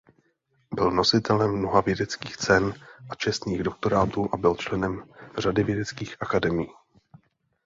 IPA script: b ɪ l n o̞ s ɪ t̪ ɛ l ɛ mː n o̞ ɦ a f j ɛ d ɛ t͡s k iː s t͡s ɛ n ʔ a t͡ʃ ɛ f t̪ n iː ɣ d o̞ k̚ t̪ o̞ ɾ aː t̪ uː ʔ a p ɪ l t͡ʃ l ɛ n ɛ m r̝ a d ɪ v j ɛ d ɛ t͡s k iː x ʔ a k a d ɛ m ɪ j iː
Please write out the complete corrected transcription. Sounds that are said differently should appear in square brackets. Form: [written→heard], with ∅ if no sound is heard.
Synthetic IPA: b ɪ l n o̞ s ɪ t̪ ɛ l ɛ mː n o̞ ɦ a [f→v] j ɛ d ɛ t͡s k iː [s→x] t͡s ɛ n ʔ a t͡ʃ ɛ [f→s] t̪ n iː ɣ d o̞ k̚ t̪ o̞ ɾ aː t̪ uː ʔ a [p→b] ɪ l t͡ʃ l ɛ n ɛ m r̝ a d ɪ v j ɛ d ɛ t͡s k iː x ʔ a k a d ɛ m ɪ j iː